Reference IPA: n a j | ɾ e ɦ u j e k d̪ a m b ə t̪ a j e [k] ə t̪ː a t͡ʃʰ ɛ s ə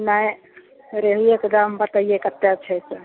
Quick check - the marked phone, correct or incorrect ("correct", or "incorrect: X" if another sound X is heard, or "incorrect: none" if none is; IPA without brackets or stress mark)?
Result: correct